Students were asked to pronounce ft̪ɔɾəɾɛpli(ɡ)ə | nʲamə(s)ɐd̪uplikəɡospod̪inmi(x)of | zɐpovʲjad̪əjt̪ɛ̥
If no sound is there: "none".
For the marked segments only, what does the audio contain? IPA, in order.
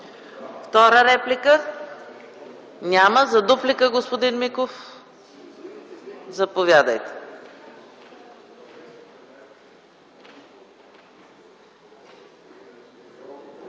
k, z, k

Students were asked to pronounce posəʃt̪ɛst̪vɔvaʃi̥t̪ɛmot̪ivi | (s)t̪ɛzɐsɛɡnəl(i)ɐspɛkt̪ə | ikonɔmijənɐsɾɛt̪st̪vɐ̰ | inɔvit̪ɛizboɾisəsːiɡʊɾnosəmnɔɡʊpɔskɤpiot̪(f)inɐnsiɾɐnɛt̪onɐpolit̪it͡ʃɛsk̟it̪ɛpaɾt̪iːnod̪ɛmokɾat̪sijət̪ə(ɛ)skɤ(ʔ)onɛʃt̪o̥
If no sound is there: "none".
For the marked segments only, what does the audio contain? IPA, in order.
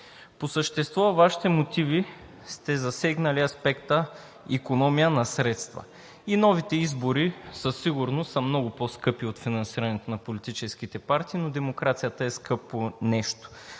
s, i, f, ɛ, p

